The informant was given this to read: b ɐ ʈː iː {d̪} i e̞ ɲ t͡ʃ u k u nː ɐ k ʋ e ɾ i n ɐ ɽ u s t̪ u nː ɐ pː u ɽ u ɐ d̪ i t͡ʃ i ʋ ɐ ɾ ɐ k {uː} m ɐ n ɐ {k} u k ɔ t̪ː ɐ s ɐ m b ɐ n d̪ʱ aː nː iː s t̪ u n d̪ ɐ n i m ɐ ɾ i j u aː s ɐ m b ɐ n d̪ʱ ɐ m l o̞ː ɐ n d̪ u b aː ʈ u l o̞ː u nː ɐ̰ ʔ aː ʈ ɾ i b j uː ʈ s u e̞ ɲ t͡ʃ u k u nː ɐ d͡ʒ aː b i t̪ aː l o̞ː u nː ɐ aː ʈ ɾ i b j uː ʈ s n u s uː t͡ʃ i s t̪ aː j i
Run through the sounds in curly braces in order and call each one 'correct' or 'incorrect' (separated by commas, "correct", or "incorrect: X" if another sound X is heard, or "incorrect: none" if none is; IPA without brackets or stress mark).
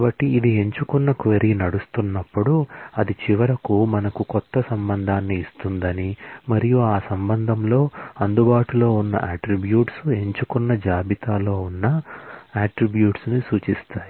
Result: correct, incorrect: u, correct